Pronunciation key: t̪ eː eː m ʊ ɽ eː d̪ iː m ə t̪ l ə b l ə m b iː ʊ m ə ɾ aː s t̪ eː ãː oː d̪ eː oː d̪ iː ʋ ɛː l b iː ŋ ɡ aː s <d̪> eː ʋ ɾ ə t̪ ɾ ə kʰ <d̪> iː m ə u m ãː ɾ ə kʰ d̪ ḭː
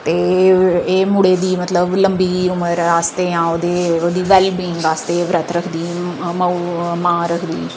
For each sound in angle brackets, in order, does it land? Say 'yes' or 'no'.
no, yes

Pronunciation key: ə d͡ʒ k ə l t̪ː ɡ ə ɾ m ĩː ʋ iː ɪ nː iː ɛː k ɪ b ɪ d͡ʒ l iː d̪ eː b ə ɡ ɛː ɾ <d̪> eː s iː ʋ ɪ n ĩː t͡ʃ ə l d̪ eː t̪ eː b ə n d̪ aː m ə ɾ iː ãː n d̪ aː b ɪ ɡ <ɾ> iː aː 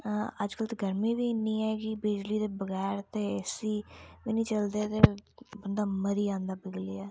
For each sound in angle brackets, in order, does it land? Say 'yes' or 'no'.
no, no

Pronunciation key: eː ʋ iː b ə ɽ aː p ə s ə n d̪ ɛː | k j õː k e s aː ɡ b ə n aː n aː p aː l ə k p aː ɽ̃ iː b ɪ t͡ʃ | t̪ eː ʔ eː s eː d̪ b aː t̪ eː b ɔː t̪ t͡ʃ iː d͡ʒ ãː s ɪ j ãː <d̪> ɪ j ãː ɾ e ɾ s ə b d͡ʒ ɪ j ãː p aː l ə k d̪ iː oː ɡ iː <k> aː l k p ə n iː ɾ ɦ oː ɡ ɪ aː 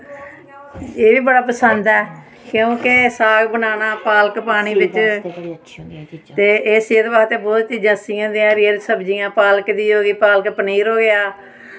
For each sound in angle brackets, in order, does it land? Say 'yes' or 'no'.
yes, no

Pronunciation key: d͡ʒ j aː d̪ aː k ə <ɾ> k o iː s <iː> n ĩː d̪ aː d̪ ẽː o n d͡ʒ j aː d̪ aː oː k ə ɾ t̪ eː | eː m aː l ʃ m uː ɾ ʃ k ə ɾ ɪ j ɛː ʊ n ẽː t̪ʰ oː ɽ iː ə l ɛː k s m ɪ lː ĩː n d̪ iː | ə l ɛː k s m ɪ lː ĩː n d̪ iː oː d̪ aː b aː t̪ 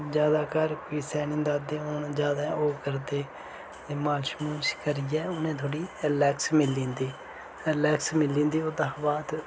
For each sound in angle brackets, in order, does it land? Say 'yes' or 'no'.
yes, no

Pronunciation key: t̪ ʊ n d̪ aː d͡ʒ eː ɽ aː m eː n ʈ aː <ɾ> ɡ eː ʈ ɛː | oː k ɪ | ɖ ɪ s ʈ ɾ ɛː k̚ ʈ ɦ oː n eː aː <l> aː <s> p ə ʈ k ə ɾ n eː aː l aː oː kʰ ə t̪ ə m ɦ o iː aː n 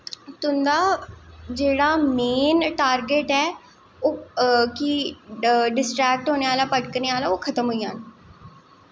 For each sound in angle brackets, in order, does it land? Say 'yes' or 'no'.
yes, yes, no

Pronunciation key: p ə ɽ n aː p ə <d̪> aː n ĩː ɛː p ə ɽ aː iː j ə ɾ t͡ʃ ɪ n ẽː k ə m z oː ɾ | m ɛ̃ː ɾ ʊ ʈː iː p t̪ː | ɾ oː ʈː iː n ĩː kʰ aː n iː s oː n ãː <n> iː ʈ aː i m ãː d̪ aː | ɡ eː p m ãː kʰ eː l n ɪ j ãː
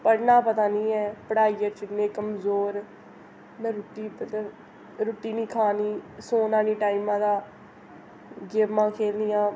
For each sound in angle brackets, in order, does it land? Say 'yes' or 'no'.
no, yes

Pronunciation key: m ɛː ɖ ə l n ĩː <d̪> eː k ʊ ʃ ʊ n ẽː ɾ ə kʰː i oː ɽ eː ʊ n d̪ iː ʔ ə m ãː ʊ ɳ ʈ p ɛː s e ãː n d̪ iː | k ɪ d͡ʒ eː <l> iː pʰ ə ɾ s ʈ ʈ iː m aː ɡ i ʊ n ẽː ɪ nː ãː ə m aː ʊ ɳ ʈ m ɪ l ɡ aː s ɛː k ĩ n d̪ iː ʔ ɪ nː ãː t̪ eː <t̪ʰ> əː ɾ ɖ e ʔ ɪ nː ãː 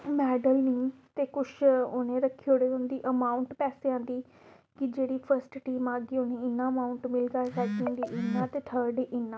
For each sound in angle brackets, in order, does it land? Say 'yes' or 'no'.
no, no, yes

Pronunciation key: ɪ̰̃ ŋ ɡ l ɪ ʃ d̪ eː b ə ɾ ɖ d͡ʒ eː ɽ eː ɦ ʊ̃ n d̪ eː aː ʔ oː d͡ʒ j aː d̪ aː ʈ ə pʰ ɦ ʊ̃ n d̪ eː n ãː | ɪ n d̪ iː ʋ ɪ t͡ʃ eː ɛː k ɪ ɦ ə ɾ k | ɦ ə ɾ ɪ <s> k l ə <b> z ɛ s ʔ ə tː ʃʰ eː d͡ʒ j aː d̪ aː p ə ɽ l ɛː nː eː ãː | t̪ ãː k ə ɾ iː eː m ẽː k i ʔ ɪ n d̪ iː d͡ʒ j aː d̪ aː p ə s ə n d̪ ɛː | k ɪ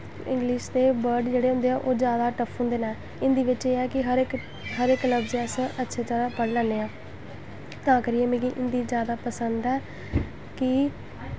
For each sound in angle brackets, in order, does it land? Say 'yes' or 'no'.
no, yes

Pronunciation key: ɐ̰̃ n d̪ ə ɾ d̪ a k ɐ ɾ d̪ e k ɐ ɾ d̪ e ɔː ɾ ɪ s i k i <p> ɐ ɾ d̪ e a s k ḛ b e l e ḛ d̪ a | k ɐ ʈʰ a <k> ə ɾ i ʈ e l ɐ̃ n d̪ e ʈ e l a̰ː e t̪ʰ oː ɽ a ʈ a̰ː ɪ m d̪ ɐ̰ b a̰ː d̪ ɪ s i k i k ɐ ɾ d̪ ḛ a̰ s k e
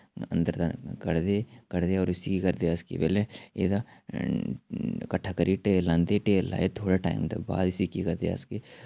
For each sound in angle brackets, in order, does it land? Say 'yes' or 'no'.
no, yes

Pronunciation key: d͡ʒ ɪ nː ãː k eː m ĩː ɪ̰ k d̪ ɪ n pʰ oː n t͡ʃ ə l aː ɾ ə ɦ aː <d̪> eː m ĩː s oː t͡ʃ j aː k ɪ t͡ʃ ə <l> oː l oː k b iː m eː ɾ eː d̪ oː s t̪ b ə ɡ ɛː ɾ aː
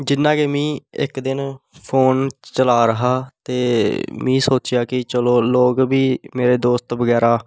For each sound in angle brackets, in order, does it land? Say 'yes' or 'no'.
no, yes

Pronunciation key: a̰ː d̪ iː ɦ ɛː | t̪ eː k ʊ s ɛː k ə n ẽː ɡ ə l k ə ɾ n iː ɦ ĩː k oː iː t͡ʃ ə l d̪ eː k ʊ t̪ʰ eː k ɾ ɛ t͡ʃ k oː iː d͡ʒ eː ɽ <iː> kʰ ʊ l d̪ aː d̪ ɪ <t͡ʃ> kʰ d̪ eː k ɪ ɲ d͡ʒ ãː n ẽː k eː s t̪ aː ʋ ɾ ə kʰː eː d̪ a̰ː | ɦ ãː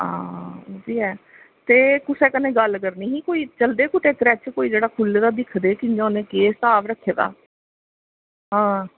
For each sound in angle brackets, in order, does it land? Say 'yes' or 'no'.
no, no

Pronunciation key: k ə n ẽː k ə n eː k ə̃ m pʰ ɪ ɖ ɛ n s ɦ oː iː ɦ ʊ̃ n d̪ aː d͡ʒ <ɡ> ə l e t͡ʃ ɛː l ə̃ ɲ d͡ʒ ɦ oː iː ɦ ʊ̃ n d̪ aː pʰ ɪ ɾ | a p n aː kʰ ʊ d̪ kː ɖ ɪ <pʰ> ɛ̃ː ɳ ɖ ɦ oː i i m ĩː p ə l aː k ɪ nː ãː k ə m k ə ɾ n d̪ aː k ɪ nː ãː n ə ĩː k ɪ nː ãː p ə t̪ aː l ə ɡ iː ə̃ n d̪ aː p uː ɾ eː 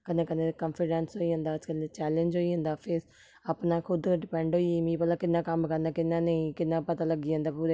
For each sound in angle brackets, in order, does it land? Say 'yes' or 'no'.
no, no

